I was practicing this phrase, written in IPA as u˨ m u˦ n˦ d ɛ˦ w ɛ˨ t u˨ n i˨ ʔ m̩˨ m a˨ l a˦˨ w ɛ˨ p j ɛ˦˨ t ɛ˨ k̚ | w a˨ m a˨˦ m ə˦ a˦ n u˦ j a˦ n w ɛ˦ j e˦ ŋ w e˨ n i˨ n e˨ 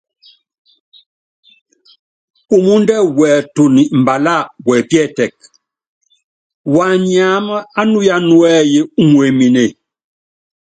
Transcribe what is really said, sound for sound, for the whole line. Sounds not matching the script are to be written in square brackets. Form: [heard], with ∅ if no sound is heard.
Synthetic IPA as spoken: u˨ m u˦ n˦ d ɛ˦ w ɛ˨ t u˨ n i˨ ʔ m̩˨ [b] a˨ l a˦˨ w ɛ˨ p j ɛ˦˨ t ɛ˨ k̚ | w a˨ [ɲ] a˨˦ m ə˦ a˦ n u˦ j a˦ n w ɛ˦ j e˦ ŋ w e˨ [m] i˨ n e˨